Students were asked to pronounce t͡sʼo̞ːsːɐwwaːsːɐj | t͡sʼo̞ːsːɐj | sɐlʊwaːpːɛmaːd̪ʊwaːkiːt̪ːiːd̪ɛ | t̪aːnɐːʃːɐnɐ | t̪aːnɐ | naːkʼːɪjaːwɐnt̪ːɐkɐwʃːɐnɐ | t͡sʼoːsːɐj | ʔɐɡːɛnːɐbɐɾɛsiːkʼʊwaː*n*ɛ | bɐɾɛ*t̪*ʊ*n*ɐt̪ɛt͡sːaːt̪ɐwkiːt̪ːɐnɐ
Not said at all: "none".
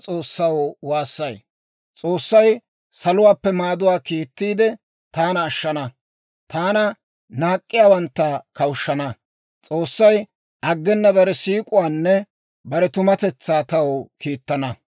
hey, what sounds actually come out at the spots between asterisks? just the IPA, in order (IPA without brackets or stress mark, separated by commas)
nː, t̪, m